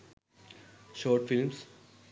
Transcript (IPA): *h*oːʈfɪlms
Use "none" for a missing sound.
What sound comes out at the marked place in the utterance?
ʃ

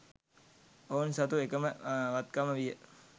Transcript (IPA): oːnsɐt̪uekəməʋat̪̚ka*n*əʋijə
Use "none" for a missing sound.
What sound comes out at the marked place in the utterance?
m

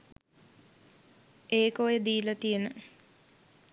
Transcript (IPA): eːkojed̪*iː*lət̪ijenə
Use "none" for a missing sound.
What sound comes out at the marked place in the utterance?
iː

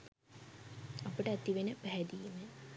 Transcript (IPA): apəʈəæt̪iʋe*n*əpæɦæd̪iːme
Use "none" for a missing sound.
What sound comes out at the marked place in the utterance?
n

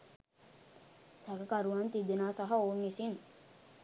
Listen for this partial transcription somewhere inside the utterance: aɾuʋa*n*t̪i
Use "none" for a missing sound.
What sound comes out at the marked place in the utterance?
n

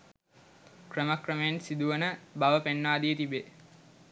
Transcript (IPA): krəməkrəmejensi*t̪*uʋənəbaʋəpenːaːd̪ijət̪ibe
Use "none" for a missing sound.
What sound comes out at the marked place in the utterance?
d̪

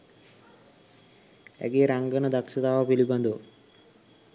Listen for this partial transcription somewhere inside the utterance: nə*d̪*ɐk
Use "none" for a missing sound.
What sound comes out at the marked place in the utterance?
d̪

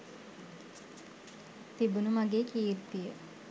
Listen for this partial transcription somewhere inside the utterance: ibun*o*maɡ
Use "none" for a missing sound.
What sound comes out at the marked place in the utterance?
u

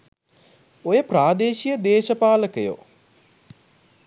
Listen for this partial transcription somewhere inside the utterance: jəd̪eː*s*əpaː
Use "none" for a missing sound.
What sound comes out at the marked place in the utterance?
ʃ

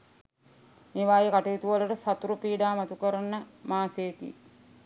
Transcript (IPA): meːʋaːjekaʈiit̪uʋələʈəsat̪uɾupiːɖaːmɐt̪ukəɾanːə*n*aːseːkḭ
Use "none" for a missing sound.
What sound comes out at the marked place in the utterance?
m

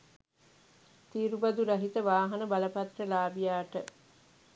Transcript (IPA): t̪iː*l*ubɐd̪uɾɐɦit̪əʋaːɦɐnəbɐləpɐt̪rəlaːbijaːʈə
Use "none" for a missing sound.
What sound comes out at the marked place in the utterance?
ɾ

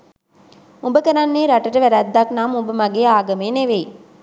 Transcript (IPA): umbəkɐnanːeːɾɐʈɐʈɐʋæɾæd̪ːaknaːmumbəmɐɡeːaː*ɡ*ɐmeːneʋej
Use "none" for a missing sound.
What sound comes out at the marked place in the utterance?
ɡ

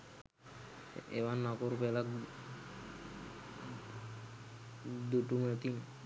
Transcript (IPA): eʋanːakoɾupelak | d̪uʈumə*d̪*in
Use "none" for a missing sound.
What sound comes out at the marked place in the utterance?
t̪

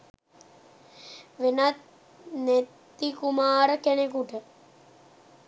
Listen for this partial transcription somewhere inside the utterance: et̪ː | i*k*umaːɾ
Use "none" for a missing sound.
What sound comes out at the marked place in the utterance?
k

